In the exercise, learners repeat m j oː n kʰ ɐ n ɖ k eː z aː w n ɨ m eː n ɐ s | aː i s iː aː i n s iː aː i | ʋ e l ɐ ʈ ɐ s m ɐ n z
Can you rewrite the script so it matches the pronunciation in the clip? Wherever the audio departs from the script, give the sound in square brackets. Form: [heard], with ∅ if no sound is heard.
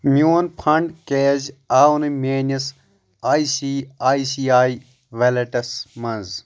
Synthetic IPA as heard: m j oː n [pʰ] ɐ [ɳ] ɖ k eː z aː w n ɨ m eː n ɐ s | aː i s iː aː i [∅] s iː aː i | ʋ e l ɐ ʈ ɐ s m ɐ n z

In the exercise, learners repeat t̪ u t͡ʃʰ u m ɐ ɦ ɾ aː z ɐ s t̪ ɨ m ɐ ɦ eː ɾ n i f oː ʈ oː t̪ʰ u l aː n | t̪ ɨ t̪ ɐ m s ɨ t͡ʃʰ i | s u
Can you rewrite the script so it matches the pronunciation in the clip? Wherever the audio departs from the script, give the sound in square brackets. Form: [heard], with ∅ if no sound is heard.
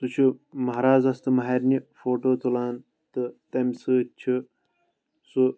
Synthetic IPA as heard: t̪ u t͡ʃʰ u m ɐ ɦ ɾ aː z ɐ s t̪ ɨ m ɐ ɦ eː ɾ n i f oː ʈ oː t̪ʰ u l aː n | t̪ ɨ t̪ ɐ m s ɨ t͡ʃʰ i | s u

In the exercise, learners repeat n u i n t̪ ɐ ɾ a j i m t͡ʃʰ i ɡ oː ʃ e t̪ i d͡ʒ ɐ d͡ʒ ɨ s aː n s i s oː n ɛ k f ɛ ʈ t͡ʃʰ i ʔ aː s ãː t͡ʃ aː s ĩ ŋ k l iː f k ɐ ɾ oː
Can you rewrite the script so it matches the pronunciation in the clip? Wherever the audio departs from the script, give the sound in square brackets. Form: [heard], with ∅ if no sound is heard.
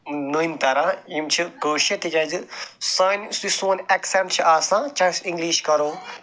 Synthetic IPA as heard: n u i n t̪ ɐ ɾ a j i m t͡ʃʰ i ɡ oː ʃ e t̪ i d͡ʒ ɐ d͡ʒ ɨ s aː n s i s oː n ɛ k [s] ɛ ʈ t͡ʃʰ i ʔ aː s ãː t͡ʃ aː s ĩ ŋ [ɡ] l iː [ʃ] k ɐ ɾ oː

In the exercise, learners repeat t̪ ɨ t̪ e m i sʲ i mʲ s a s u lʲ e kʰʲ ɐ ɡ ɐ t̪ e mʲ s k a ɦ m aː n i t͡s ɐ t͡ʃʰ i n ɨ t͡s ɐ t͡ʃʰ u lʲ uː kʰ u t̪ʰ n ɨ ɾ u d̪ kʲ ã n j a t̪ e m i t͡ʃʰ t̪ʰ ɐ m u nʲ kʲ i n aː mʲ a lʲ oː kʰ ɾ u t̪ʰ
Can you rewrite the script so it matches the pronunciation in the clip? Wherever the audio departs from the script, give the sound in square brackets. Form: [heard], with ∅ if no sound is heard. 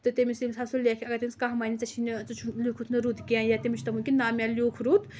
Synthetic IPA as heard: t̪ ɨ t̪ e m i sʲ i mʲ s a s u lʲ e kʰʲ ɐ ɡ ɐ t̪ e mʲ s k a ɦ m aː n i t͡s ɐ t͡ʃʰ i n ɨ t͡s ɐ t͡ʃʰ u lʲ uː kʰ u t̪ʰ n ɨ ɾ u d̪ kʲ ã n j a t̪ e m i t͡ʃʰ [t̪] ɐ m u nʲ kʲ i n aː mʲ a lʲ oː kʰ ɾ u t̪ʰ

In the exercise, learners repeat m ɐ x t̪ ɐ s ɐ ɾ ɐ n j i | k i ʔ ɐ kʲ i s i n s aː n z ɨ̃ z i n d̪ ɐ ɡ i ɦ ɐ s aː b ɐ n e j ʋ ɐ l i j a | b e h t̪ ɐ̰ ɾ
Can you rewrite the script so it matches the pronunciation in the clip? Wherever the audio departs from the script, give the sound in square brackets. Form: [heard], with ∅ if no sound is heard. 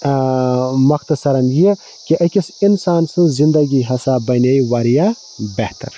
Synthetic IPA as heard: m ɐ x t̪ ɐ s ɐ ɾ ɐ n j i | k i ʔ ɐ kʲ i s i n s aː n [s] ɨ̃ z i n d̪ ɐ ɡ i ɦ ɐ s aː b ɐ n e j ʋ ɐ [ɾ] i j a | b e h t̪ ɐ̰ ɾ

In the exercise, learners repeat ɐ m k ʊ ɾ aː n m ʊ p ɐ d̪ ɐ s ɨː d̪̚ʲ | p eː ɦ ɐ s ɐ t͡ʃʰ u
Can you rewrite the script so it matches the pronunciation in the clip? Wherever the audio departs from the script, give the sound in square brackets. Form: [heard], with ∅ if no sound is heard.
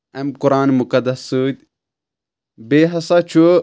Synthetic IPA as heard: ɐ m k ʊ ɾ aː n m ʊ [k] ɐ d̪ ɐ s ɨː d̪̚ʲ | [b] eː ɦ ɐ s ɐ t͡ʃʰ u

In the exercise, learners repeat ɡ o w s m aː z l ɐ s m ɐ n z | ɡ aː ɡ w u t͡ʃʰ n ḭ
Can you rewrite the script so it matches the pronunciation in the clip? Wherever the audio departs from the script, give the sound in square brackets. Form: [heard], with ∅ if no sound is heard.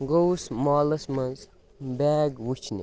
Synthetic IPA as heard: ɡ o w s m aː [∅] l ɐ s m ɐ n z | [b] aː ɡ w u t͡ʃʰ n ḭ

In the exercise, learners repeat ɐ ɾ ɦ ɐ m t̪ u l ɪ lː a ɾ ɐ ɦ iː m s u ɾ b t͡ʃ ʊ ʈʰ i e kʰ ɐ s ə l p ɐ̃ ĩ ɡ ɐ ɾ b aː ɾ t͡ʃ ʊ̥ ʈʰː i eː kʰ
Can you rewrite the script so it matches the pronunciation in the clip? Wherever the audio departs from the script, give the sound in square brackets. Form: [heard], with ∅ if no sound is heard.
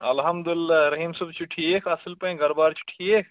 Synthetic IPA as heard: ɐ [l] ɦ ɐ m [d̪] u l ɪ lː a ɾ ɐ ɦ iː m s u [∅] b t͡ʃ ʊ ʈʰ i e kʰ ɐ s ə l p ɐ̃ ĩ ɡ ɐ ɾ b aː ɾ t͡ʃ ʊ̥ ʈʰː i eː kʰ

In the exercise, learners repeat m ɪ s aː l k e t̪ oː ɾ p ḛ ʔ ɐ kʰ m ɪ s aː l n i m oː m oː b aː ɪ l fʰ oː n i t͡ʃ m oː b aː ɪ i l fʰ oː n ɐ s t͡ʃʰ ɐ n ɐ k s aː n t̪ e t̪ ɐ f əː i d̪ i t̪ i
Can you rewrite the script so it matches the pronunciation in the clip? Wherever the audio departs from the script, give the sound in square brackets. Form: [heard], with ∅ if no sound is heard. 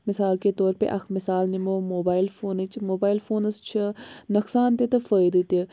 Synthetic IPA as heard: m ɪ s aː l k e t̪ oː ɾ p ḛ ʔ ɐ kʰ m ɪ s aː l n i m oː m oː b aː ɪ l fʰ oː n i t͡ʃ m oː b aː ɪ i l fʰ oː n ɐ s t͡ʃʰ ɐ n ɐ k s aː n t̪ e t̪ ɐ f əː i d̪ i t̪ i

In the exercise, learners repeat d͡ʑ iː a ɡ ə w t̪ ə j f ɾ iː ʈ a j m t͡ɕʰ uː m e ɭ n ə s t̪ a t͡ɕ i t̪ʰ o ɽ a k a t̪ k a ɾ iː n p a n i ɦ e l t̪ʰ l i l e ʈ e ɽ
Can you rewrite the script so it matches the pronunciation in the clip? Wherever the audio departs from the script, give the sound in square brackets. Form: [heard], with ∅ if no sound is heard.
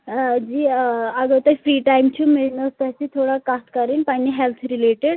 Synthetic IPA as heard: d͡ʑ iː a ɡ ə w t̪ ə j f ɾ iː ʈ a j m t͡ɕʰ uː m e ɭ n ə s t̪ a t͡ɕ i t̪ʰ o ɽ a k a t̪ k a ɾ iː n p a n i ɦ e l t̪ʰ [ɾ] i l e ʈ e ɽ

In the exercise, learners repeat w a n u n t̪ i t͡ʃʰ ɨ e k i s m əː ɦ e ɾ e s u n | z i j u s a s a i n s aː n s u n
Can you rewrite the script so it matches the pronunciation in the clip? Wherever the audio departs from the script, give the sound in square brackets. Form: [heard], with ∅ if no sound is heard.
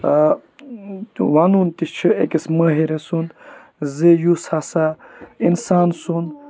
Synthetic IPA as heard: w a n u n t̪ i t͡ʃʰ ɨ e k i s m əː ɦ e ɾ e s u n | z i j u s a s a i n s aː n s u n

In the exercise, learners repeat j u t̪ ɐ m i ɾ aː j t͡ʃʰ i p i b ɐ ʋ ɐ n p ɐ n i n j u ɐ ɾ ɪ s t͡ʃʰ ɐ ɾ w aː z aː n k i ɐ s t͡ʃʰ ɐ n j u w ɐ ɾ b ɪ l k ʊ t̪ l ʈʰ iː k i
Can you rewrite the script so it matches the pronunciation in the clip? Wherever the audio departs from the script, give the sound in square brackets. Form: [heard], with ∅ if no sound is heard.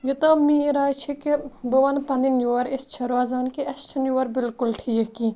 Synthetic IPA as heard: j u t̪ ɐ m i ɾ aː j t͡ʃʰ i [k] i b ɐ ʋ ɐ n p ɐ n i n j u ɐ ɾ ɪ s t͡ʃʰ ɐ ɾ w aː z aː n k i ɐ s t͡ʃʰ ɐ n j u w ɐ ɾ b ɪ l k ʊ [∅] l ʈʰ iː k i

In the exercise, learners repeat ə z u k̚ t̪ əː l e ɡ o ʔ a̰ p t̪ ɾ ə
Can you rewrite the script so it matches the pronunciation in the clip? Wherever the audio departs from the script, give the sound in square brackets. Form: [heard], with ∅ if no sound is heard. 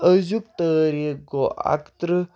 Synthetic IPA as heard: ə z u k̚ t̪ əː [ɾ] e ɡ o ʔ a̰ [k] t̪ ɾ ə

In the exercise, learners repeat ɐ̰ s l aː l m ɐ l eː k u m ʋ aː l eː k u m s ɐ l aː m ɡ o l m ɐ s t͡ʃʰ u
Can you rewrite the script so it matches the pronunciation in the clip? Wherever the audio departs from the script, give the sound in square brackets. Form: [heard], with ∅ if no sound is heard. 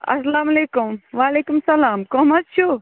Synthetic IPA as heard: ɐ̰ s l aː [∅] m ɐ l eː k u m ʋ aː l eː k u m s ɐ l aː m [k] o [∅] m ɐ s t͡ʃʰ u

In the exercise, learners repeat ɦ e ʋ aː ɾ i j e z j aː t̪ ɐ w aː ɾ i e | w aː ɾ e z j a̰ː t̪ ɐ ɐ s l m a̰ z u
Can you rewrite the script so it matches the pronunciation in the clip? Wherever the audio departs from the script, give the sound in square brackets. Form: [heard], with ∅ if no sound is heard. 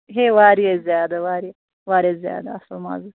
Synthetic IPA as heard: ɦ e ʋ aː ɾ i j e z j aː [d̪] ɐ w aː ɾ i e | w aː ɾ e z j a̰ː [d̪] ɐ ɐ s l m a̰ z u

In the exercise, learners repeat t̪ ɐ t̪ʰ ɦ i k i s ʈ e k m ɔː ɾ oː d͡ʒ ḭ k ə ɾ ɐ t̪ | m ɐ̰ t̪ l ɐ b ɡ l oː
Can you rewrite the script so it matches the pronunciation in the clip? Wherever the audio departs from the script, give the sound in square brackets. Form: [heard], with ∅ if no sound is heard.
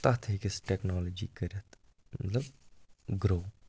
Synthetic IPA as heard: t̪ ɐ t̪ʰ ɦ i k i s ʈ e k [n] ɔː [l] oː d͡ʒ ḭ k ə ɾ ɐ t̪ | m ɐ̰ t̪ l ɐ b ɡ [ɾ] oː

